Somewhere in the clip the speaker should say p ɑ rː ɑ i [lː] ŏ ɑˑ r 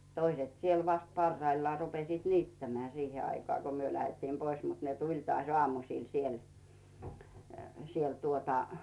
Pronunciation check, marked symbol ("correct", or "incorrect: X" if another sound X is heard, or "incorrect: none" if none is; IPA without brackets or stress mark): correct